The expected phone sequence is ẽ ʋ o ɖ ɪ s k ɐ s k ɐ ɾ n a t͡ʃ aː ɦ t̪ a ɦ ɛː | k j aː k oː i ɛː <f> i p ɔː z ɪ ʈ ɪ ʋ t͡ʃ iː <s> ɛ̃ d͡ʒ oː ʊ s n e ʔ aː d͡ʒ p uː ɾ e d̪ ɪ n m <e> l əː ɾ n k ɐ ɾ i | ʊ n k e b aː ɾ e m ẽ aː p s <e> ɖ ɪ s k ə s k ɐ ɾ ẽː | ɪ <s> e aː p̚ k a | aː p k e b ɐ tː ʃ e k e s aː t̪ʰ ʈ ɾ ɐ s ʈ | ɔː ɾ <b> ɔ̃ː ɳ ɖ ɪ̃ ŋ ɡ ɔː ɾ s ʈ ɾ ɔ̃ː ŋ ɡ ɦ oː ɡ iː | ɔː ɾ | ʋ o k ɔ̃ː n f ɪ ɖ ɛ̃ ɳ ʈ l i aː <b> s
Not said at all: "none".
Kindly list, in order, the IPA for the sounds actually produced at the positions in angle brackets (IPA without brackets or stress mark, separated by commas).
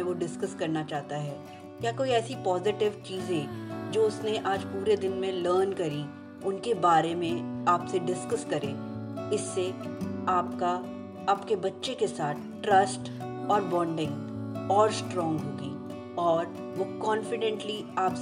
s, z, ẽ, e, sː, b, p